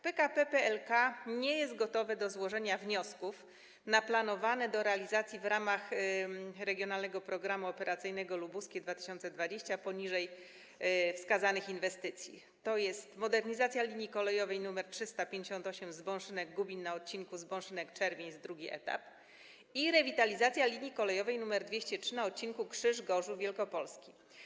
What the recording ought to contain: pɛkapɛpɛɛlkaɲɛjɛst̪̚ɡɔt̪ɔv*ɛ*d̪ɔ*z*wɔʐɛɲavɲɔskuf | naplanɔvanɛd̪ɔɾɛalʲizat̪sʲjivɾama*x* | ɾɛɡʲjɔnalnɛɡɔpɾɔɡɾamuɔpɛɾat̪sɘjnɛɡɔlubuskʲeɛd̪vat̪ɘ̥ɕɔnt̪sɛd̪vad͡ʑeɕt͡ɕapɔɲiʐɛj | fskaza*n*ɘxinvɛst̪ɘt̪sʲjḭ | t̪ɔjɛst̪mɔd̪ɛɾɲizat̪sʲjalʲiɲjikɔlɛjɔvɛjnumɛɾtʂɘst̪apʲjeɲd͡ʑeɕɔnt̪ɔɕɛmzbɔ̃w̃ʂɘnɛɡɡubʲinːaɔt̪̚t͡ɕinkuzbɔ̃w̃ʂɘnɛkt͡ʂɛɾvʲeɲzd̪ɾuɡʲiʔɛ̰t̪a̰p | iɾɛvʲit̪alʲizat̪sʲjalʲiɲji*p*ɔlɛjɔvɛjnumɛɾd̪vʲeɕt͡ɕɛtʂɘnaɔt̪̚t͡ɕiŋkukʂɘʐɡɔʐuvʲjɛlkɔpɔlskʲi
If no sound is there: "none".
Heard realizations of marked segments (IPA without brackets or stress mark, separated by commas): ɛ, z, x, n, k